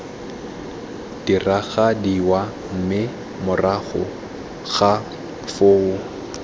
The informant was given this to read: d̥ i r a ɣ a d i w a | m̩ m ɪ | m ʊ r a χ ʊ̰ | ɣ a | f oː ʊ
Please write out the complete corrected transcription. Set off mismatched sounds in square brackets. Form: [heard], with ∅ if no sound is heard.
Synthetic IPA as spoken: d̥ i r a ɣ a d i w a | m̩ m ɪ | m ʊ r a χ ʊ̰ | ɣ a | f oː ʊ